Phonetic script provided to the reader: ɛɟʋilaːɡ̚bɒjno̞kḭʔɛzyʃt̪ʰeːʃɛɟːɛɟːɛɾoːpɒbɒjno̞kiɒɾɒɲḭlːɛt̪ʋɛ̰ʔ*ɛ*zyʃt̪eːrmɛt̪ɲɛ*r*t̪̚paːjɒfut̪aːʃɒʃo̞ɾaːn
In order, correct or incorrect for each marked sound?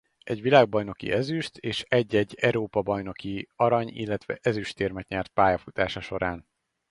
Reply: correct, correct

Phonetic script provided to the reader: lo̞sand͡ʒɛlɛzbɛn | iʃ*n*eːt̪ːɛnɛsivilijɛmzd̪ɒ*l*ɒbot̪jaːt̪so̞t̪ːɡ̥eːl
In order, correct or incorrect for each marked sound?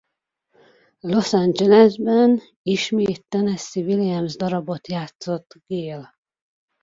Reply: incorrect: m, incorrect: ɾ

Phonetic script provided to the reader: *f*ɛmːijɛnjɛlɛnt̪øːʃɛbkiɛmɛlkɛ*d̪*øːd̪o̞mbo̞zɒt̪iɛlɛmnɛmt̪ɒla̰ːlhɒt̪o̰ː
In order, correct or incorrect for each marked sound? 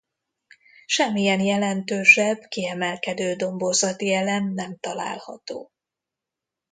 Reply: incorrect: ʃ, correct

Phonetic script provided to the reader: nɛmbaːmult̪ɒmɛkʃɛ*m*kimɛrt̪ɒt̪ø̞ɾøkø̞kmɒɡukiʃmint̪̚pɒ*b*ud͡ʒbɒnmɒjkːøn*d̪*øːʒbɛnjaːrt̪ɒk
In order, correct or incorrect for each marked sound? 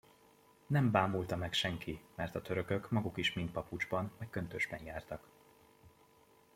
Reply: incorrect: ŋ, incorrect: p, incorrect: t̪

